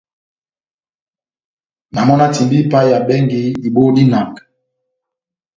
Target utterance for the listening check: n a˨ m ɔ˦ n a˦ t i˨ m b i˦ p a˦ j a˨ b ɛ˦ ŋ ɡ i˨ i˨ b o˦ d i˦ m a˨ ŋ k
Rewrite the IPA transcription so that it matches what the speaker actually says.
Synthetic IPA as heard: n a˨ m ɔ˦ n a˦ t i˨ m b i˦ p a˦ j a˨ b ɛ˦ ŋ ɡ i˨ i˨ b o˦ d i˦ n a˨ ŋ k